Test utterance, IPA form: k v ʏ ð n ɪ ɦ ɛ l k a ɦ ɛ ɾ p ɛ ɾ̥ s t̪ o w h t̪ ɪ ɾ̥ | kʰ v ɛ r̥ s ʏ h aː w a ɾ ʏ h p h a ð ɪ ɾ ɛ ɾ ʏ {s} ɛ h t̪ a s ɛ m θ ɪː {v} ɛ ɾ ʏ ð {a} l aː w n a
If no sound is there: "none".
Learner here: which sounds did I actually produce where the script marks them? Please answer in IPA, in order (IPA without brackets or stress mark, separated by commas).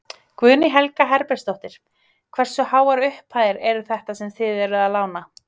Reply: θ, ð, a